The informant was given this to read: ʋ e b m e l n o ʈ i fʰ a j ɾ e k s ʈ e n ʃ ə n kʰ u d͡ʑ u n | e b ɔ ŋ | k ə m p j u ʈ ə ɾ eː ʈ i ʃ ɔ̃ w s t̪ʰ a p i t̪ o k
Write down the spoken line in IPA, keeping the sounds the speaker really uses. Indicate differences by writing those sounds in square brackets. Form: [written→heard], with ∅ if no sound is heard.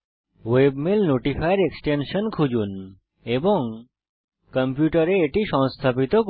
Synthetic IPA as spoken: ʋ e b m e l n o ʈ i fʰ a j ɾ e k s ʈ e n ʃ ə n kʰ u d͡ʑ u n | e b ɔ ŋ | k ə m p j u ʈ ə ɾ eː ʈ i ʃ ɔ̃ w s t̪ʰ a p i t̪ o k